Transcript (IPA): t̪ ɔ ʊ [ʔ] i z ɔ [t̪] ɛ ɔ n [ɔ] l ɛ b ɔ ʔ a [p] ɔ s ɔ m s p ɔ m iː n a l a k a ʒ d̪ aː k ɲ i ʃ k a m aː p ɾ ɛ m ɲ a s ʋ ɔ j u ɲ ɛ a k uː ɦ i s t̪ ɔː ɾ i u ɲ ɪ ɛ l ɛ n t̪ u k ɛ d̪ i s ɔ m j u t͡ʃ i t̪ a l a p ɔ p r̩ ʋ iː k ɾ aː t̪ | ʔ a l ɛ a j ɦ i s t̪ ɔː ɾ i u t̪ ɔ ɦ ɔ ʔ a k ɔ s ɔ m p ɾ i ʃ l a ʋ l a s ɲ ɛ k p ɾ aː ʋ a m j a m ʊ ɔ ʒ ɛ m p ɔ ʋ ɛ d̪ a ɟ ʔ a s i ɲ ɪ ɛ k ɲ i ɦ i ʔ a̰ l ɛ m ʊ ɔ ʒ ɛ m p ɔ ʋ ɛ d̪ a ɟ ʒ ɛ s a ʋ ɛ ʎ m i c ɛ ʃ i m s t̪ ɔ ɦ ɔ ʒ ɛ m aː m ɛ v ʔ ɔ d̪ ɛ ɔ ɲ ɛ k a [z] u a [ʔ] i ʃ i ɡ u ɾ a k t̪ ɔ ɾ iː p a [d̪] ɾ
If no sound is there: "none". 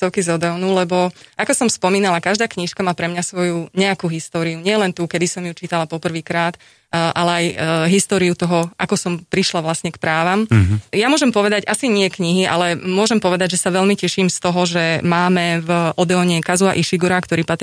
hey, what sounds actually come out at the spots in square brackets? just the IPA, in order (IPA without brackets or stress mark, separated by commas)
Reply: k, d̪, u, k, z, ʔ, t̪